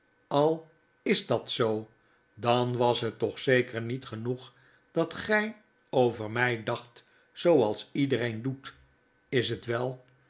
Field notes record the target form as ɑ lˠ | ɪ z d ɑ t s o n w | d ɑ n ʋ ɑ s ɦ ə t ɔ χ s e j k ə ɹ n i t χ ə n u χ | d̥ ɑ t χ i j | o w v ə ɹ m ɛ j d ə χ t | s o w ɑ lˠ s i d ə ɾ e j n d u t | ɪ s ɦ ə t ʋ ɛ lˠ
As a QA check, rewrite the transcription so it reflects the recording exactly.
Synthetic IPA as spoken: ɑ lˠ | ɪ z d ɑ t s o w | d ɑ n ʋ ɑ s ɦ ə t ɔ χ s e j k ə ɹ n i t χ ə n u χ | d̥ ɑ t χ ɛ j | o w v ə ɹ m ɛ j d ɑ χ t | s o w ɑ lˠ s i d ə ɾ e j n d u t | ɪ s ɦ ə t ʋ ɛ lˠ